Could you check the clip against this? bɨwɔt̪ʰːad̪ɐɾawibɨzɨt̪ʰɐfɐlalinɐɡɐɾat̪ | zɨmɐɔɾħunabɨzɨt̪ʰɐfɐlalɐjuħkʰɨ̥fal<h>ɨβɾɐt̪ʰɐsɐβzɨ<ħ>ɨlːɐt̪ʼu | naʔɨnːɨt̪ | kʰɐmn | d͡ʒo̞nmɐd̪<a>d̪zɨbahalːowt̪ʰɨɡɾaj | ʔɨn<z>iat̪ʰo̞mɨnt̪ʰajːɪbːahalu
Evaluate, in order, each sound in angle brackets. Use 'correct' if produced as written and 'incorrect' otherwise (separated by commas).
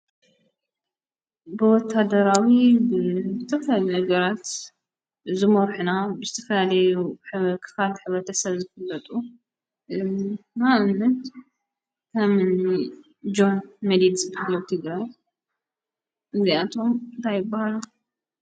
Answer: incorrect, incorrect, incorrect, correct